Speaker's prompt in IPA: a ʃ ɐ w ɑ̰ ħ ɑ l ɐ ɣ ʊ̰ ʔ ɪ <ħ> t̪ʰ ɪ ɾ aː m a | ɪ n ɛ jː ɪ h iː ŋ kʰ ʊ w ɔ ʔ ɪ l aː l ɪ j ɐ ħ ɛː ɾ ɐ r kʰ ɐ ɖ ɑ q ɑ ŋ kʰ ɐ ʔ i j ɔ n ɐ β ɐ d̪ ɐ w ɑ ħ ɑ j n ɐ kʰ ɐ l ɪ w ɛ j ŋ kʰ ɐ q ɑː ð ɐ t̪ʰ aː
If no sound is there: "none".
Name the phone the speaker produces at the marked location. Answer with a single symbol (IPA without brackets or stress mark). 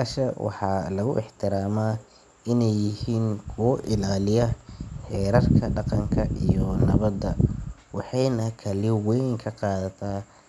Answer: ħ